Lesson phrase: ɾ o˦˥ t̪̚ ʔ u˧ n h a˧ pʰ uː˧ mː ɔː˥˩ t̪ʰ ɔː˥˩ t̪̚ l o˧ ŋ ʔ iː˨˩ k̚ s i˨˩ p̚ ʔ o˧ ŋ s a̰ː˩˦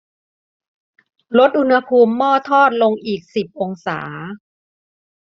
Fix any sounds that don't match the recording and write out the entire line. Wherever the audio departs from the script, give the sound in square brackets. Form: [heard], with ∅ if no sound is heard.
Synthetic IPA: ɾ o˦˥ t̪̚ ʔ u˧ n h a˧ pʰ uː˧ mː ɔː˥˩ t̪ʰ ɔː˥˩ t̪̚ l o˧ ŋ ʔ iː˨˩ k̚ s i˨˩ p̚ ʔ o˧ ŋ s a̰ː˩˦